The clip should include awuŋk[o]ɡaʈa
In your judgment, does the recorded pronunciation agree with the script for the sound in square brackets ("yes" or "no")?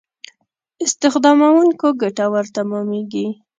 yes